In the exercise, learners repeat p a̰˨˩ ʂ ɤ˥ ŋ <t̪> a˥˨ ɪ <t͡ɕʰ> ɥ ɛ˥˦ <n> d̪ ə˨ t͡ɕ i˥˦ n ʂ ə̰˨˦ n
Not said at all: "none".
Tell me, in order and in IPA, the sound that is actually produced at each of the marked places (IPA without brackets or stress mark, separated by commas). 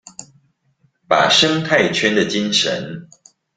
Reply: t̪ʰ, t͡ɕʰ, n